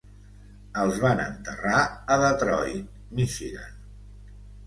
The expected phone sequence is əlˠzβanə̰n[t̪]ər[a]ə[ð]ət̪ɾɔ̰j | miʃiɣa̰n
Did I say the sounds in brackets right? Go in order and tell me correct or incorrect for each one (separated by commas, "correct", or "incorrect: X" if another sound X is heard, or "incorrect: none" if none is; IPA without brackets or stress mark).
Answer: correct, correct, correct